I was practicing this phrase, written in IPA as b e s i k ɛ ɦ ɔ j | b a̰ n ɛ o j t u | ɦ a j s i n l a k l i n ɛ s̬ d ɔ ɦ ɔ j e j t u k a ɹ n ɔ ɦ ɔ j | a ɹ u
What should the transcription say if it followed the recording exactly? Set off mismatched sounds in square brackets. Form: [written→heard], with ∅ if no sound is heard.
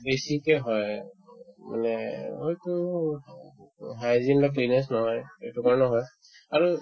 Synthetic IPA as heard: b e s i k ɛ ɦ ɔ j | [b→m] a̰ n ɛ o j t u | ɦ a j [s→z] i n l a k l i n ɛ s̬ [d→n] ɔ ɦ ɔ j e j t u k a ɹ n ɔ ɦ ɔ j | a ɹ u